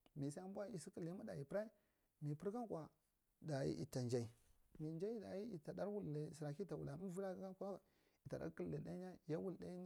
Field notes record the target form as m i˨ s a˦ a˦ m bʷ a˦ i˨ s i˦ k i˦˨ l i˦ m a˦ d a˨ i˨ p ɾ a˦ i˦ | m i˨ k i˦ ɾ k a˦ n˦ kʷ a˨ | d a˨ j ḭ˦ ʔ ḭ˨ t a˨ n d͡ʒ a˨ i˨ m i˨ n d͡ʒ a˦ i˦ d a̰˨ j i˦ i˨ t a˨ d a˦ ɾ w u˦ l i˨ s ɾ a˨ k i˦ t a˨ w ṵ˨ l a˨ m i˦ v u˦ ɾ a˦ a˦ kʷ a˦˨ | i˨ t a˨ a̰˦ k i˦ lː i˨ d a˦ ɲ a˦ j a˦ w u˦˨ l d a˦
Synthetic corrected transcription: m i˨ s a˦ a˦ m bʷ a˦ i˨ s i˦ k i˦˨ l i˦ m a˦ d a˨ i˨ p ɾ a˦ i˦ | m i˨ p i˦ ɾ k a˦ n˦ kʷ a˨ | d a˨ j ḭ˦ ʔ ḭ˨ t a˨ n d͡ʒ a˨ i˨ m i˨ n d͡ʒ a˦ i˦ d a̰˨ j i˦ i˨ t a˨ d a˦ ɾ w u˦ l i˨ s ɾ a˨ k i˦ t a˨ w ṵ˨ l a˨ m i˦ v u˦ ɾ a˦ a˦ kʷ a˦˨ | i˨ t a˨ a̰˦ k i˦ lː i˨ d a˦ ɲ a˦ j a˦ w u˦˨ l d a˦

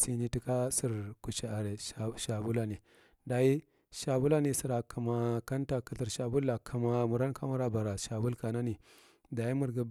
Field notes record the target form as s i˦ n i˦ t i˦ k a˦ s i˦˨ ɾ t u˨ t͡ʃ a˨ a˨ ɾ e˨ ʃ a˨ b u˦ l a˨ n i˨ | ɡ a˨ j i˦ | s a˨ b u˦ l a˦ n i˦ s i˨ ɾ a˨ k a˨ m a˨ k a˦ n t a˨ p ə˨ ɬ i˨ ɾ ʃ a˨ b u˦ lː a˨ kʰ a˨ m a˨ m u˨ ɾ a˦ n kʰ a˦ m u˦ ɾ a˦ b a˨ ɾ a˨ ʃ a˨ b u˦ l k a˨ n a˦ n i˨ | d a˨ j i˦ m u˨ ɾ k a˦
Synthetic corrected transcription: s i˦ n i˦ t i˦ k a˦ s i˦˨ ɾ k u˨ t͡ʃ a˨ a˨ ɾ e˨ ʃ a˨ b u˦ l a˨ n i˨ | d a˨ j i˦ | ʃ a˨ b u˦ l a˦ n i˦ s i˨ ɾ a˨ k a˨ m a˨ k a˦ n t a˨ k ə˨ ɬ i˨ ɾ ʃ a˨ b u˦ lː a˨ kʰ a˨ m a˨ m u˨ ɾ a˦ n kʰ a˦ m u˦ ɾ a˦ b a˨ ɾ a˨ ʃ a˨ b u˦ l k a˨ n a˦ n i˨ | d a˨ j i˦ m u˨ ɾ ɡ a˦

